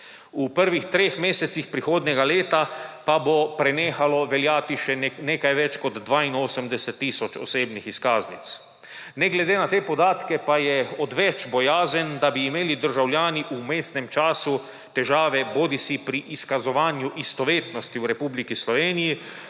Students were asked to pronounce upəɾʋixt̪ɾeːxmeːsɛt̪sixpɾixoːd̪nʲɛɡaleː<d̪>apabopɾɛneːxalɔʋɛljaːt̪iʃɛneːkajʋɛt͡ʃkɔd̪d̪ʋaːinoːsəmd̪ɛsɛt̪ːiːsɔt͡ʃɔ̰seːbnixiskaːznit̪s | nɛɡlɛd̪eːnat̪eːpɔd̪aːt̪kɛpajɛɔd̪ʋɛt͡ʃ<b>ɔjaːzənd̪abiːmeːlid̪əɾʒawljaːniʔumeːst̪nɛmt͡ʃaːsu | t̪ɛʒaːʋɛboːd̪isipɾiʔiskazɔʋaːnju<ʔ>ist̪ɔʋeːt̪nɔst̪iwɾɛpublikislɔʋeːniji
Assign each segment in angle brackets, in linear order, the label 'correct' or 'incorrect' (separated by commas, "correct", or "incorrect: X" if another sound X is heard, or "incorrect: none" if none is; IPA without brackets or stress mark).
incorrect: t̪, correct, correct